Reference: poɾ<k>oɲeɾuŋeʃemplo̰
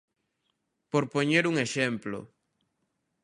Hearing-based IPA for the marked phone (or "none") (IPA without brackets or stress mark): p